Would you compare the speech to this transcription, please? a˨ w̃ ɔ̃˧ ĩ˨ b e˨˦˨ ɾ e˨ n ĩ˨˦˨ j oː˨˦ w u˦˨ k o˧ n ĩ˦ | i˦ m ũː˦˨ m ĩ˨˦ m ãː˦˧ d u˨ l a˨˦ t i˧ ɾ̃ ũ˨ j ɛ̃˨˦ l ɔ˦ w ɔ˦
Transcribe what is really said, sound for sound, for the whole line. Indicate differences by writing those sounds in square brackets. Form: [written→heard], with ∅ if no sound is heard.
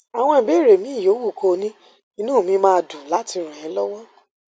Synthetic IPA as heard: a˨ w̃ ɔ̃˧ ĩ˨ b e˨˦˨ ɾ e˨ [n→m] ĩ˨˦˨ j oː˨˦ w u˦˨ k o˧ n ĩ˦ | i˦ [m→n] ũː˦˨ m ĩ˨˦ m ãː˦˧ d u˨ l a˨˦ t i˧ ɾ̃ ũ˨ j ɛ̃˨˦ l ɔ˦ w ɔ˦

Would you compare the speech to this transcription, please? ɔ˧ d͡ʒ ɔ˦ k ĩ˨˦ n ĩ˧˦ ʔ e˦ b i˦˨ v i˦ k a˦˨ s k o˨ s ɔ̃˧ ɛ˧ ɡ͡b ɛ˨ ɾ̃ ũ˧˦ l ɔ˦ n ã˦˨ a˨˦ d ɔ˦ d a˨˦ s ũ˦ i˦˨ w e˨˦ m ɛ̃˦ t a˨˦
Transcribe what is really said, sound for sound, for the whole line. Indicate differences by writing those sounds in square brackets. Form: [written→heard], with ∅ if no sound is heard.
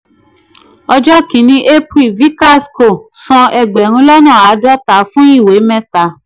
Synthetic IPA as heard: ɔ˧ d͡ʒ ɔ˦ k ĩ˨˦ n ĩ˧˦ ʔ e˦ [b→p] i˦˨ v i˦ k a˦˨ s k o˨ s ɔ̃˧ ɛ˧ ɡ͡b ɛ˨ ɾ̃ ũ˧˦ l ɔ˦ n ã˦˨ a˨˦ d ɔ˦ [d→t] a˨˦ [s→f] ũ˦ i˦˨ w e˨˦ m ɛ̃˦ t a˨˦

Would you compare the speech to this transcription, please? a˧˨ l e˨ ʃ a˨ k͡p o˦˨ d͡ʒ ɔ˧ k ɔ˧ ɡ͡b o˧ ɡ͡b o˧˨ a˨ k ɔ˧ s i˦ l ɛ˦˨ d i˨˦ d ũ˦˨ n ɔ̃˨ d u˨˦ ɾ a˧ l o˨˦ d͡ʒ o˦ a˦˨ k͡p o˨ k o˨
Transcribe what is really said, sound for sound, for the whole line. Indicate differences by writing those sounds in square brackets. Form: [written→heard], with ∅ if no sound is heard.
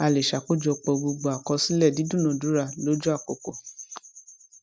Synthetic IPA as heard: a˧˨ l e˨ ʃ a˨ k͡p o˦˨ d͡ʒ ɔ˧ [k→k͡p] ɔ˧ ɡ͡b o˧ ɡ͡b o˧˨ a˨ k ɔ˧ s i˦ l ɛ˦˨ d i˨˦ d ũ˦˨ n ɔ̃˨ d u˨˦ ɾ a˧ l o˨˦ d͡ʒ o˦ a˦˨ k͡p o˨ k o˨

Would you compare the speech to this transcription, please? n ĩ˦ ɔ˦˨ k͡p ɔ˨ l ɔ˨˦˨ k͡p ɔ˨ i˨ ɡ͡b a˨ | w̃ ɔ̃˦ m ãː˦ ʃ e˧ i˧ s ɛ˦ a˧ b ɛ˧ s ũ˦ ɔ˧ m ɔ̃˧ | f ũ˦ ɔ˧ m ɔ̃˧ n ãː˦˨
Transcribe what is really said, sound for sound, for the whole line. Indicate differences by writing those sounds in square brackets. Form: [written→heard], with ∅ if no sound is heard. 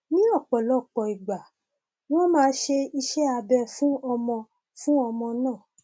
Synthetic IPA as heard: n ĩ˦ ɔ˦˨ k͡p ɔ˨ l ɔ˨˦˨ k͡p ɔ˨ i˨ ɡ͡b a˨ | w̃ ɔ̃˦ m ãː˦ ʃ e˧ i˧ [s→ʃ] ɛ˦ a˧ b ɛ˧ [s→f] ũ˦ ɔ˧ m ɔ̃˧ | f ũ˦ ɔ˧ m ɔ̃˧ n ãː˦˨

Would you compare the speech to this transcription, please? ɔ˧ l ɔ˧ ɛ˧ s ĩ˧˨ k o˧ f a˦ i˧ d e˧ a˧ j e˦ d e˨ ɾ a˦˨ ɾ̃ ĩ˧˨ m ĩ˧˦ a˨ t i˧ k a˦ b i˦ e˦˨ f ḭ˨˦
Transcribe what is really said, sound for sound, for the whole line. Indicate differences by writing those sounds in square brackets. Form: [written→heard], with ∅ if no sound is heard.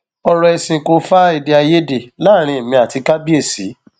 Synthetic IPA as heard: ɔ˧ [l→ɾ] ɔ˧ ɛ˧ s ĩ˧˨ k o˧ f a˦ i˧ d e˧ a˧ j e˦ d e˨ [ɾ→l] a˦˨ ɾ̃ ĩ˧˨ m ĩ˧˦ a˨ t i˧ k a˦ b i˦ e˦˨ [f→s] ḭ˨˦

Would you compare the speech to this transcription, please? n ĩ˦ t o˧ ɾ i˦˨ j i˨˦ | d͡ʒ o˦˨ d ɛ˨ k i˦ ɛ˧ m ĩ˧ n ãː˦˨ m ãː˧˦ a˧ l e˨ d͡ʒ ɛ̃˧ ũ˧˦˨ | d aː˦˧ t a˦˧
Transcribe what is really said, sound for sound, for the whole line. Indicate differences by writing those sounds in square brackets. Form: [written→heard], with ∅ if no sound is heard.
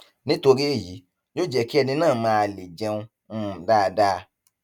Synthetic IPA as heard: n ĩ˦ t o˧ ɾ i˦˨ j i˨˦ | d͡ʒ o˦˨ [d→d͡ʒ] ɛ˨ k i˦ ɛ˧ [m→n] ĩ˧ n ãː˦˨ m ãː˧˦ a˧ l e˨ d͡ʒ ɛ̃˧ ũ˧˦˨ | d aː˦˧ [t→d] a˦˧

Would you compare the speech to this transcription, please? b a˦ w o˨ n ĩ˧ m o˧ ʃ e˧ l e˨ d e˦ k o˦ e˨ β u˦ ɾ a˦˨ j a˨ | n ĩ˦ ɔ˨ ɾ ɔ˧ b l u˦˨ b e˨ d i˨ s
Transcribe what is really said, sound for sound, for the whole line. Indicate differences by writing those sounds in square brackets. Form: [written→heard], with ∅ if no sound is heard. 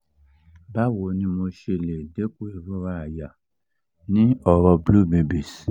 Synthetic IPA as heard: b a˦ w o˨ n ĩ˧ m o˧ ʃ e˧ l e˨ d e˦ k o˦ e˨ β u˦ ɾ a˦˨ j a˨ | n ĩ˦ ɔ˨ ɾ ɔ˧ b l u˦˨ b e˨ [d→b] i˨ s

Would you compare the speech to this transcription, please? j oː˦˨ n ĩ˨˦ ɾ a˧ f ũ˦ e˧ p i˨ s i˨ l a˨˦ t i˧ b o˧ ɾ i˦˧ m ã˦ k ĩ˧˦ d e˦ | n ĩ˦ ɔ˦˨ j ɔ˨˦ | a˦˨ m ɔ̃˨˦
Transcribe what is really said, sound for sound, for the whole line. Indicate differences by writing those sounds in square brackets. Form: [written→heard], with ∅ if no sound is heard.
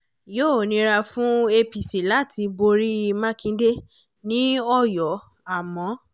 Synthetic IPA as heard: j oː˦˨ n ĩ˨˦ ɾ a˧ f ũ˦ e˧ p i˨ s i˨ l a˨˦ t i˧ b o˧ ɾ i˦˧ m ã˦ k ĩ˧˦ d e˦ | n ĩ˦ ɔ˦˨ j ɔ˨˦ | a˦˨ m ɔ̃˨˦

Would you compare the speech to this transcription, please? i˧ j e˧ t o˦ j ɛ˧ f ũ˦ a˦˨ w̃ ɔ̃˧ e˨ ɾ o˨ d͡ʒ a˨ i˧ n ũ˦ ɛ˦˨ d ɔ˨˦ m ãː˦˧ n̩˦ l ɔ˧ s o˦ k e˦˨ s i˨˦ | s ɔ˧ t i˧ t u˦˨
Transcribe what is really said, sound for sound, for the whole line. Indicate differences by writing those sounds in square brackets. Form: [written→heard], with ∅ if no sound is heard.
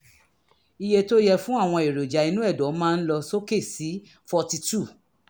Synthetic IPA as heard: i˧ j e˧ t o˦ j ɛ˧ f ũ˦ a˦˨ w̃ ɔ̃˧ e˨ ɾ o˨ d͡ʒ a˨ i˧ n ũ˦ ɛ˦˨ d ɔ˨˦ m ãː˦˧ n̩˦ l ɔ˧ s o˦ k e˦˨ s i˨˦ | [s→f] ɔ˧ t i˧ t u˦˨

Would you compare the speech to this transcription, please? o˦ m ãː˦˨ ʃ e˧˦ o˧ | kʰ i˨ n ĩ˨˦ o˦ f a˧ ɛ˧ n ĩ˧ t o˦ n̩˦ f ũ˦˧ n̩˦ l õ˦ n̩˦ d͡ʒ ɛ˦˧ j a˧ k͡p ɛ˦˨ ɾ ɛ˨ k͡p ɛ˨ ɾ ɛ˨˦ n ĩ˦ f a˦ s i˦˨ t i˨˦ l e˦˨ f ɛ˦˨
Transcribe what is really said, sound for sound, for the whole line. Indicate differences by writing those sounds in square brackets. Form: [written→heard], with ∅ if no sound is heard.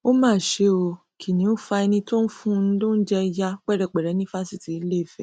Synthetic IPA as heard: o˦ m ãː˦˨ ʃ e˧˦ o˧ | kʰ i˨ n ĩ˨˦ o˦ f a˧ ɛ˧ n ĩ˧ t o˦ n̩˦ f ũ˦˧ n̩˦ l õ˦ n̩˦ d͡ʒ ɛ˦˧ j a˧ k͡p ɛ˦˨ ɾ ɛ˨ k͡p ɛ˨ ɾ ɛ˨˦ n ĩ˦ f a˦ s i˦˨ t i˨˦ l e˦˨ f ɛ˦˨

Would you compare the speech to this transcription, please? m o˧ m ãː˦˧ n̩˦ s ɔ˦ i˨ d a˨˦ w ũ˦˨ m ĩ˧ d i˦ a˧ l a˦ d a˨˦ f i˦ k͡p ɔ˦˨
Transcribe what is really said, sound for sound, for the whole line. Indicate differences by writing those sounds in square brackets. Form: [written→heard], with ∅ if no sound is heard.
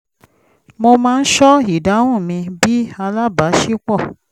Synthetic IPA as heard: m o˧ m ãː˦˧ n̩˦ [s→ʃ] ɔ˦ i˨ d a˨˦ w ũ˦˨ m ĩ˧ [d→b] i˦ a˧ l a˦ [d→b] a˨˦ [f→ʃ] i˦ k͡p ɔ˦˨

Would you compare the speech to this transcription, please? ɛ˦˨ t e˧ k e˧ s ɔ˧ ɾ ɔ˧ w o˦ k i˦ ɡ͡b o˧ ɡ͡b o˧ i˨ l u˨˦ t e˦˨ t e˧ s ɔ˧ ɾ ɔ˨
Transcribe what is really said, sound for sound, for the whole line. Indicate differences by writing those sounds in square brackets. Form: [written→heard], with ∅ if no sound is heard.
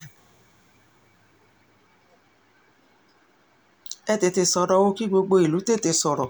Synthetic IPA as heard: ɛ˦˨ t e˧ [k→t] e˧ s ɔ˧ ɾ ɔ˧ w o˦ k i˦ ɡ͡b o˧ ɡ͡b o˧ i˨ l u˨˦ t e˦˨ t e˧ s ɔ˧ ɾ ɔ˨

